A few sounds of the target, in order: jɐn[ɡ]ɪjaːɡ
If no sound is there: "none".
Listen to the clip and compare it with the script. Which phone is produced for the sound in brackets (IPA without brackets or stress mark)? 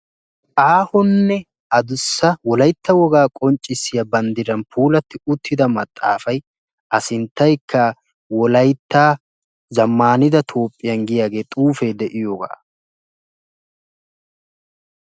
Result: ɡ